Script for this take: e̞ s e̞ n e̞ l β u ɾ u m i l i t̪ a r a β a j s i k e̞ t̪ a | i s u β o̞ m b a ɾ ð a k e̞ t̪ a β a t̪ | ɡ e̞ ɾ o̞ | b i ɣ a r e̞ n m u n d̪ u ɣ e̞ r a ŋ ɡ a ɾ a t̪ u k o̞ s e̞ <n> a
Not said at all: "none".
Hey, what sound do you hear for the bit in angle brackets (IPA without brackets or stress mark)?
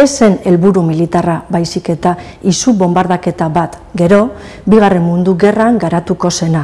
n